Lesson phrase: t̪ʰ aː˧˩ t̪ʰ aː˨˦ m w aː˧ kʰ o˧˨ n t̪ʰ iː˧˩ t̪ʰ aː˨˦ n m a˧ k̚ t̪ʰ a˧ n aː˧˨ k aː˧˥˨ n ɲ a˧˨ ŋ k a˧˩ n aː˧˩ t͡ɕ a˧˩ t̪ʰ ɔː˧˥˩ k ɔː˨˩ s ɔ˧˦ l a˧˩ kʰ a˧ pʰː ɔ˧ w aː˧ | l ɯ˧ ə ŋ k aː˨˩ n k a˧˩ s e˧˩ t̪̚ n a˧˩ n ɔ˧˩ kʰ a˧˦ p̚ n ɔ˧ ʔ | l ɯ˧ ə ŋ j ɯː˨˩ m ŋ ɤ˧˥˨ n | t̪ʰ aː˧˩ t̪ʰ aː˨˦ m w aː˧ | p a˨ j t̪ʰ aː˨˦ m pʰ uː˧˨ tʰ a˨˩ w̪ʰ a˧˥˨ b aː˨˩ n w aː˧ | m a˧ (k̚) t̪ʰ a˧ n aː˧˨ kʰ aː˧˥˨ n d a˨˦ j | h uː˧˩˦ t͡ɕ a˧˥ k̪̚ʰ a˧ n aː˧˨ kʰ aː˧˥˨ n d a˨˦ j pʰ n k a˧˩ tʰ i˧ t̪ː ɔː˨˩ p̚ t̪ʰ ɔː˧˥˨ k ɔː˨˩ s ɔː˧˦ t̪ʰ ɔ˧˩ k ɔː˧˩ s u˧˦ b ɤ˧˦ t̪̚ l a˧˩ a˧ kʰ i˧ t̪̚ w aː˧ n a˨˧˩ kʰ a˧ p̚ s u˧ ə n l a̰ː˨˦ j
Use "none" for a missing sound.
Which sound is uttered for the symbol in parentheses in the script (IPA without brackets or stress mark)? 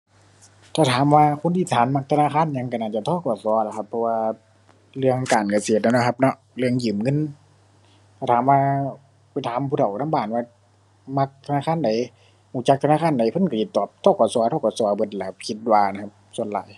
k̚